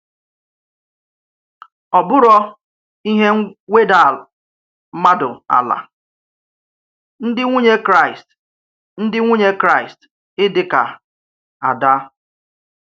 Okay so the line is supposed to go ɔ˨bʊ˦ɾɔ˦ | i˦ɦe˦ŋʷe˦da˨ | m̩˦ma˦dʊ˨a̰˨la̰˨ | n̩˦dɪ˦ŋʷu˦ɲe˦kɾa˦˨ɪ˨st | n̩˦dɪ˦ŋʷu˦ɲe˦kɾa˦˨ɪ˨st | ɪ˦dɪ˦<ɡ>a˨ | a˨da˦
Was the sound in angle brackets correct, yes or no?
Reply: no